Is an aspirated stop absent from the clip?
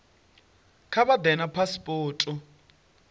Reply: no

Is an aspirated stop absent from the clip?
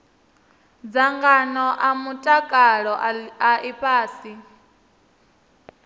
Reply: yes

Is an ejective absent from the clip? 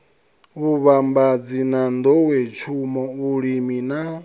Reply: yes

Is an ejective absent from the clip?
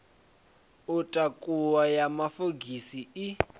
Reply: no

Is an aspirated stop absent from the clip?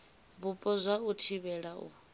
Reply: no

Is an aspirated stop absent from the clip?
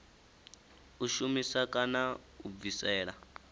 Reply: yes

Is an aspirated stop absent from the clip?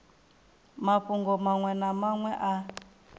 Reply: yes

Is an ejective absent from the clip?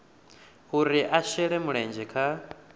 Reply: yes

